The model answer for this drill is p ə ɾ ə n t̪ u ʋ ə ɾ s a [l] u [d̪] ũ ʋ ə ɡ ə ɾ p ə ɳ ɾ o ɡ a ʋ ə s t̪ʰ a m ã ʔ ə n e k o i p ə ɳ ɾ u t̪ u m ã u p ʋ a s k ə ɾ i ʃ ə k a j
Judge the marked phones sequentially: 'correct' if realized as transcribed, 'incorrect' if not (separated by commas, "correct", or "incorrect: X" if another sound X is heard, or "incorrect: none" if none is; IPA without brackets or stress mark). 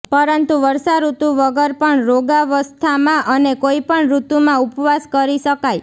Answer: incorrect: ɾ, incorrect: t̪